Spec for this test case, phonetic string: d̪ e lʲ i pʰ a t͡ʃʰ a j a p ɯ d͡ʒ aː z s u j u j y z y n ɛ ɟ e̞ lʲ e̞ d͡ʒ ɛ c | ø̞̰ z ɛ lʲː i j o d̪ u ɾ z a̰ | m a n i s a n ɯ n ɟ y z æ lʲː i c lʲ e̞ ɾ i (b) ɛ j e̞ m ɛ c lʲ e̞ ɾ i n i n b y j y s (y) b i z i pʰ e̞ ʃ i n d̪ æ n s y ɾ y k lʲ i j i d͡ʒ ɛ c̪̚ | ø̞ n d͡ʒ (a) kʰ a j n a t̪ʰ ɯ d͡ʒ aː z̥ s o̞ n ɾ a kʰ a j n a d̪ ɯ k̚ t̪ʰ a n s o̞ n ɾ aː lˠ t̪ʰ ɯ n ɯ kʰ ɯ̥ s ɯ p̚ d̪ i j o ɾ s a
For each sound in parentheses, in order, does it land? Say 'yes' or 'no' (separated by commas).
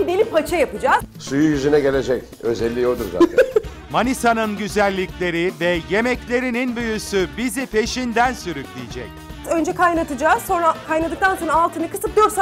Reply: no, yes, no